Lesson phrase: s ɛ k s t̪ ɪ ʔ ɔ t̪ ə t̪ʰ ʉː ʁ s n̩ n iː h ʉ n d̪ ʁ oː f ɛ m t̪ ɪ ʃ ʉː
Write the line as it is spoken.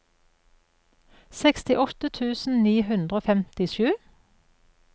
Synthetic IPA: s ɛ k s t̪ ɪ ʔ ɔ t̪ ə t̪ʰ ʉː s n̩ n iː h ʉ n d̪ ʁ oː f ɛ m t̪ ɪ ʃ ʉː